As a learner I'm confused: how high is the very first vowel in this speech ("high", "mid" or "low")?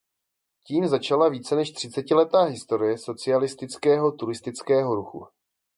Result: high